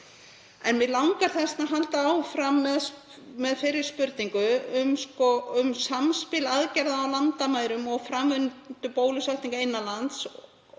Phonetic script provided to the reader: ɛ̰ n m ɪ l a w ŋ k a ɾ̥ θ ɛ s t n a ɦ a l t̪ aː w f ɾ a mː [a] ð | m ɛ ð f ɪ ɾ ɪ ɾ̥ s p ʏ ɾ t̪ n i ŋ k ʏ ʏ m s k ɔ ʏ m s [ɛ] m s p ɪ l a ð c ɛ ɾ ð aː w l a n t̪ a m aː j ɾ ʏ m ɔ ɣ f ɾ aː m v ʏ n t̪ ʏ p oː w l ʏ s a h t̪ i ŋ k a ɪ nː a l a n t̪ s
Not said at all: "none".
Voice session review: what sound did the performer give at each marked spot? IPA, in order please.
ɛ, a

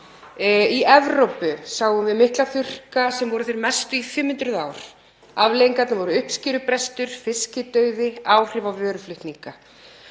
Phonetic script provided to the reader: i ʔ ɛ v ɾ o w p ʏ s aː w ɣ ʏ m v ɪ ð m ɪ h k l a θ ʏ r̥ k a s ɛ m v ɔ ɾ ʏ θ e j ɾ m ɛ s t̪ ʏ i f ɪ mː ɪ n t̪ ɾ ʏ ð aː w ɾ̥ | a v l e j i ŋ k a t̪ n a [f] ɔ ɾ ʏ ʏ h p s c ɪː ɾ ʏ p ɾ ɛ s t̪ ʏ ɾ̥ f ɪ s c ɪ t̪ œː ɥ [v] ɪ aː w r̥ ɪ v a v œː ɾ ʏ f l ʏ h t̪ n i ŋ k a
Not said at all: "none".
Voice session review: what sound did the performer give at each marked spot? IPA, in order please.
v, ð

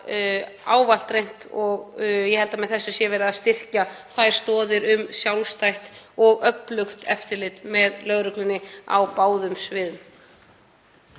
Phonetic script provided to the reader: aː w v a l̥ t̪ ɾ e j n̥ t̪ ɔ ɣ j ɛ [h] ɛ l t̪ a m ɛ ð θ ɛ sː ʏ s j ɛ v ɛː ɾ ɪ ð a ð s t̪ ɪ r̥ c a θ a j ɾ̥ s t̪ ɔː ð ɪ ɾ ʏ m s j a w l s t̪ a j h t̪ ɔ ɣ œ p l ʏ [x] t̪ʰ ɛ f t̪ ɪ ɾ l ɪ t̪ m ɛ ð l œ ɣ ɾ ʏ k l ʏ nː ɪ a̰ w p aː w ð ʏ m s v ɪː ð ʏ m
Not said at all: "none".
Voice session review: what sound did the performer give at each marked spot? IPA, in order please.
h, x

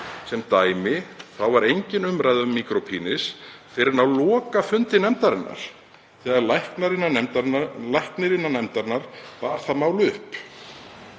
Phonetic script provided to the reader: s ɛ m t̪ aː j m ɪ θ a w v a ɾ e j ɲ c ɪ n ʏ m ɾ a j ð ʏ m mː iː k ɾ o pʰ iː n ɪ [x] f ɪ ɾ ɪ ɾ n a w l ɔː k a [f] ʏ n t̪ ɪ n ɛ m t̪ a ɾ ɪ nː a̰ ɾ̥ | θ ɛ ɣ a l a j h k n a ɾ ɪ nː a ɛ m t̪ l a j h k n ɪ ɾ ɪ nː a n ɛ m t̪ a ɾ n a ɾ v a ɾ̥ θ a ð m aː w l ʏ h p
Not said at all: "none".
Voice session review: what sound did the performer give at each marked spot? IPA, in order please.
s, f

